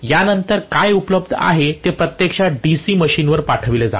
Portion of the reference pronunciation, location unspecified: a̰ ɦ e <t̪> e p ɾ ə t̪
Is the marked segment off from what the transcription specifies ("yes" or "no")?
no